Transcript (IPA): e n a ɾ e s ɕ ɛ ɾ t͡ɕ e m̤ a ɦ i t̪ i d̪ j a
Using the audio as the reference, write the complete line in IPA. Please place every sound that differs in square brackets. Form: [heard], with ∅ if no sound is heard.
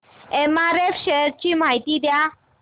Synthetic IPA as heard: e [m] a ɾ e [f] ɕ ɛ ɾ t͡ɕ [i] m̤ a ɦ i t̪ i d̪ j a